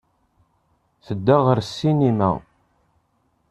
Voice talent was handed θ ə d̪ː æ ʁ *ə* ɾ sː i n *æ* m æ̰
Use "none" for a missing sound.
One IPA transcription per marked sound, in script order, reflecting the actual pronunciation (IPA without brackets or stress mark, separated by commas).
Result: ə, i